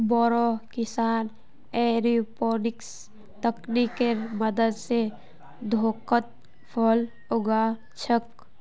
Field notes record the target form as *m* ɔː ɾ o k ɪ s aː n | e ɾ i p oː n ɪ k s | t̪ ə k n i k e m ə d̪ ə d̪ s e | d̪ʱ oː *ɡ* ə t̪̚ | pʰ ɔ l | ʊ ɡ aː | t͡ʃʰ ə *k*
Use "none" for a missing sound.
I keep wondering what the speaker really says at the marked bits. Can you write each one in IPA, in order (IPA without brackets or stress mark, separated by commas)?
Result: b, k, k